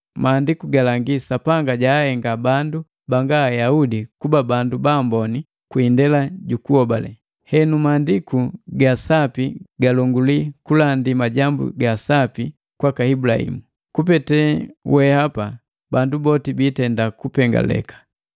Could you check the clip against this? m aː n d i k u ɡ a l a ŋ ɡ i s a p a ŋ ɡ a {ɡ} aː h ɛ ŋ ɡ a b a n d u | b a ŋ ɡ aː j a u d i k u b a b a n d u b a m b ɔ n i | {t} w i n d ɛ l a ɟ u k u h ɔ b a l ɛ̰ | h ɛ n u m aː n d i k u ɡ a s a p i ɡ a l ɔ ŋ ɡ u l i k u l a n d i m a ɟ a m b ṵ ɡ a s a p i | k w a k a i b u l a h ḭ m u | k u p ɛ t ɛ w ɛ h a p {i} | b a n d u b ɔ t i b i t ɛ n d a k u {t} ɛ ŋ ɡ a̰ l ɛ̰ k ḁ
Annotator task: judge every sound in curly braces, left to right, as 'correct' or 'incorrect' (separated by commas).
incorrect, incorrect, incorrect, incorrect